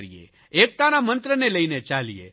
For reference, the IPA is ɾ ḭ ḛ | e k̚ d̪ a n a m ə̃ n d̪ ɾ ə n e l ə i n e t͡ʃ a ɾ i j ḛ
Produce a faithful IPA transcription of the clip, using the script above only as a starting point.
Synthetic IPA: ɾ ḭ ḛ | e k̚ t̪ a n a m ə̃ n t̪ ɾ ə n e l ə i n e t͡ʃ a l i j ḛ